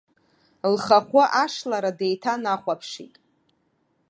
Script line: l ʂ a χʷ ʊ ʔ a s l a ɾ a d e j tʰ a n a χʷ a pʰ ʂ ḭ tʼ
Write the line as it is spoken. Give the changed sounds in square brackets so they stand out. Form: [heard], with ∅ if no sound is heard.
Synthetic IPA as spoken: l [χ] a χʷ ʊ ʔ a [ʂ] l a ɾ a d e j tʰ a n a χʷ a pʰ ʂ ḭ tʼ